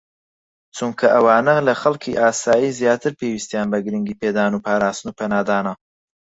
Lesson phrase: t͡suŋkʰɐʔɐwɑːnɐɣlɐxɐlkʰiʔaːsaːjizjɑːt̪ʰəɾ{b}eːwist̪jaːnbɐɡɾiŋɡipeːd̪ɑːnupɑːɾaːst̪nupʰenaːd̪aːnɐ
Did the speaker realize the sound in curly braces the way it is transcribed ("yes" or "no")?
no